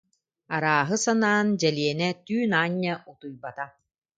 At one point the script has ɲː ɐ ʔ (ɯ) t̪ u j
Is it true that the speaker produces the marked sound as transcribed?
no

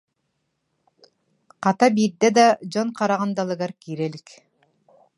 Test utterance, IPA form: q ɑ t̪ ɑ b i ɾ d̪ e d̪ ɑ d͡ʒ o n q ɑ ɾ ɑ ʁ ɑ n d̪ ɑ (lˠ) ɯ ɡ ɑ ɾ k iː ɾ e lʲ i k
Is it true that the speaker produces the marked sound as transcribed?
yes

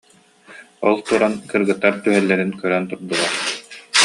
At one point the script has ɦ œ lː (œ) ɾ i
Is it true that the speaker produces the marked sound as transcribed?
no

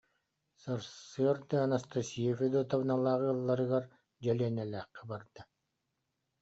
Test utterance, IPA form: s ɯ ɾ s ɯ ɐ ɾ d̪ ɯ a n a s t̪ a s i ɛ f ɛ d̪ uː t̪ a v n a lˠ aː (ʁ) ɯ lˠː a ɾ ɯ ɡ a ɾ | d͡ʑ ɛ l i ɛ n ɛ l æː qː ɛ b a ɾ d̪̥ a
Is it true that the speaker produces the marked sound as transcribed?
yes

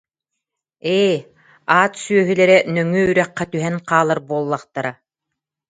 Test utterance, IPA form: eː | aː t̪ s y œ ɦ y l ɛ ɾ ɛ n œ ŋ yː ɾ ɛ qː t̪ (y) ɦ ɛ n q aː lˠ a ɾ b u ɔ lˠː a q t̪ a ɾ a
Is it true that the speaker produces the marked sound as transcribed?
yes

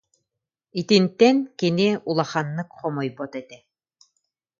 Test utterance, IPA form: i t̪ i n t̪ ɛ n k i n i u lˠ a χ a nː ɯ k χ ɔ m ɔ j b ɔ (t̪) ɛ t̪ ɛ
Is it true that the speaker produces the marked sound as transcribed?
yes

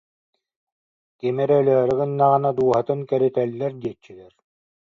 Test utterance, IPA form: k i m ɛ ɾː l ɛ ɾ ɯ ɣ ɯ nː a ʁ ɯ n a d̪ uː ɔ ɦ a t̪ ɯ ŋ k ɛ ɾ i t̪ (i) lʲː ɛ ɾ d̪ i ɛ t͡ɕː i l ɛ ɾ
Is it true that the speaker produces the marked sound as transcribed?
no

